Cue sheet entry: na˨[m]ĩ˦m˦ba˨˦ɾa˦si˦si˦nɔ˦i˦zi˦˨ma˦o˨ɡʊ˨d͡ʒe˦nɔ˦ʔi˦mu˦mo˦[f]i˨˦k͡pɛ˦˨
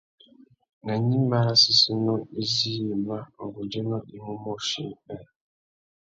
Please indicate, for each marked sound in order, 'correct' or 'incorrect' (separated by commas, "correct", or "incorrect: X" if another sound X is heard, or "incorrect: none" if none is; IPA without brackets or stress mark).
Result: incorrect: ɲ, incorrect: ʃ